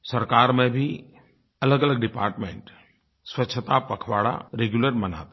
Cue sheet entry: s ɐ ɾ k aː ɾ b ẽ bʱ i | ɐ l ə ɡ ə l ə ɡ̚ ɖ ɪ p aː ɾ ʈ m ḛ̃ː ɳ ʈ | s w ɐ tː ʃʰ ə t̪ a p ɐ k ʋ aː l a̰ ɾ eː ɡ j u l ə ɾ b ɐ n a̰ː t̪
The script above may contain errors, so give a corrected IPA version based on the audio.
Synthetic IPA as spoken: s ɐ ɾ k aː ɾ m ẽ bʱ i | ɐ l ə ɡ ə l ə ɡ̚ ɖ ɪ p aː ɾ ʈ m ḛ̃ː ɳ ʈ | s w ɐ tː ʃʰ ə t̪ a p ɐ kʰ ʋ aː ɽ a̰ ɾ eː ɡ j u l ə ɾ m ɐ n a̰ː t̪